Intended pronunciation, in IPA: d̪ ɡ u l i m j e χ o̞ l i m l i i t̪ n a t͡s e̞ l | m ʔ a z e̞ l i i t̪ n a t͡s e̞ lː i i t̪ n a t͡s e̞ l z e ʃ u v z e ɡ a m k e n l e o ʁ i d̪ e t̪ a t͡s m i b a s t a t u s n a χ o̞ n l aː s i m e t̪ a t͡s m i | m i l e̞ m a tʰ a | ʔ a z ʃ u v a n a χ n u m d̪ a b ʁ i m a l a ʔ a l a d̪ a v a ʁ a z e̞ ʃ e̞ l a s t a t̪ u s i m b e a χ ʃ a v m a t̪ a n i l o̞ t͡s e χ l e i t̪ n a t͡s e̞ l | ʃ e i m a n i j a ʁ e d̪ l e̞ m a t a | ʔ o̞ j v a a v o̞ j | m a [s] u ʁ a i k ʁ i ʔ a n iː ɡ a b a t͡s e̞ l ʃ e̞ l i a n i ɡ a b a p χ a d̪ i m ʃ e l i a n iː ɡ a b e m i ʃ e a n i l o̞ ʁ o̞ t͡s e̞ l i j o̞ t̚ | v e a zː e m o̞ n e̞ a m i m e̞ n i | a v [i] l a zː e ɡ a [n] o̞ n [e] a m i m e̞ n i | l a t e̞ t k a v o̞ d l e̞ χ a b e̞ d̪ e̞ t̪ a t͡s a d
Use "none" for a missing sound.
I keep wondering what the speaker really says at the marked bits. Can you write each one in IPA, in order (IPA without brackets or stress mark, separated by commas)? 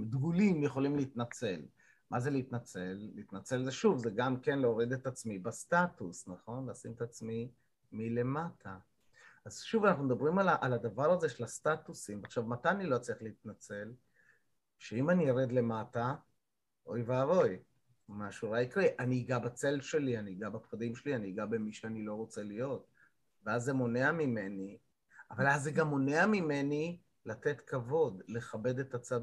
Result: ʃ, a, m, e